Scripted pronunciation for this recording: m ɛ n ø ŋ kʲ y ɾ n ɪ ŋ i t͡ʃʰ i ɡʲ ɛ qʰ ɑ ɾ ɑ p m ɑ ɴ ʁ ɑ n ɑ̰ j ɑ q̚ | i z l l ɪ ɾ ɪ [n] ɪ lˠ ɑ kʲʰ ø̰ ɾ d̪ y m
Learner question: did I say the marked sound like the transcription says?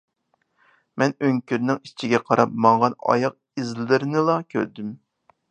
yes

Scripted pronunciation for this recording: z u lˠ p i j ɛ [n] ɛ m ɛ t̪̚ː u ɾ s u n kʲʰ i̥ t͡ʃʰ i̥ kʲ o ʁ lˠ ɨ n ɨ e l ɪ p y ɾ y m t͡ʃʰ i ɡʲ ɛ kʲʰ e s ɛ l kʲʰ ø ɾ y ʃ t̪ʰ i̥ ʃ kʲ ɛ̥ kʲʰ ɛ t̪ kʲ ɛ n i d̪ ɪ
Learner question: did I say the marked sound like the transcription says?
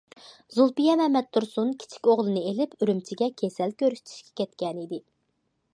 no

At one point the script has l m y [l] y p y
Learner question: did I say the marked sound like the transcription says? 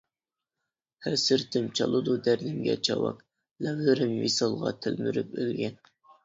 no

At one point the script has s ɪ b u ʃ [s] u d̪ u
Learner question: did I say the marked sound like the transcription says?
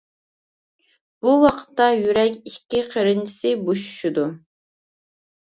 no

